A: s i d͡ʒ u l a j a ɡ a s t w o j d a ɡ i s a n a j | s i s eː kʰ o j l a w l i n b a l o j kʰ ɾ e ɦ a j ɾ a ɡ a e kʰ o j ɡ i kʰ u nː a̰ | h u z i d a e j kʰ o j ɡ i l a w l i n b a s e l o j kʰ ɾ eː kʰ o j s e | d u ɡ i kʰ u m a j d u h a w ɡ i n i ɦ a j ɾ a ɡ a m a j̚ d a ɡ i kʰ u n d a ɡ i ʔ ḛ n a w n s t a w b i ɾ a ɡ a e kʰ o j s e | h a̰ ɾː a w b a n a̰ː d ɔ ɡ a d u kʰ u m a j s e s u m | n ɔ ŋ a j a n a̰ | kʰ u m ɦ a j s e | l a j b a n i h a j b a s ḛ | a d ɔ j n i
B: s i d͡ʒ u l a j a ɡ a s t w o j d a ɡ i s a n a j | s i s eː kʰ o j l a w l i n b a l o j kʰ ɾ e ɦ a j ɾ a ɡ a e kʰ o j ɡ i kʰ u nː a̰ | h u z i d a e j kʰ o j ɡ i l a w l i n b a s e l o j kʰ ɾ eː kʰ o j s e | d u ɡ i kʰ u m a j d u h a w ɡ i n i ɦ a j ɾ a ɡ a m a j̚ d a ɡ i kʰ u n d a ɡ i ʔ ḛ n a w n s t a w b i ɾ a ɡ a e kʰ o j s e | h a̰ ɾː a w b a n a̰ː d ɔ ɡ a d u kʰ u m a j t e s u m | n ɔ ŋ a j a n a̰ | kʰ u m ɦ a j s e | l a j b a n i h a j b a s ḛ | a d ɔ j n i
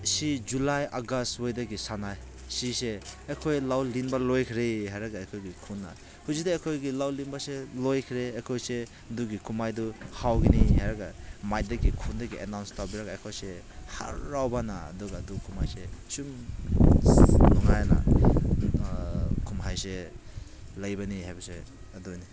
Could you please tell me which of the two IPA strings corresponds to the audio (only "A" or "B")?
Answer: A